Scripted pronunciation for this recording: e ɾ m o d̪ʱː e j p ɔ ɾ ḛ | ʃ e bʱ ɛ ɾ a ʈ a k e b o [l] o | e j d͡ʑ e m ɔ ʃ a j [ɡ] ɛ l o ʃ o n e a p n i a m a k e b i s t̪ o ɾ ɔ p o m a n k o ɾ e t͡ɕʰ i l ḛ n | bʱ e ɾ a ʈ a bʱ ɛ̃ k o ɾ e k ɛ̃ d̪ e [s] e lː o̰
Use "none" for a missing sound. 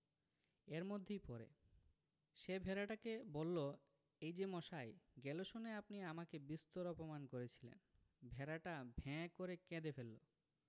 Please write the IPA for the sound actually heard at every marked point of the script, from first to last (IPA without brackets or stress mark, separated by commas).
lː, ɡ, f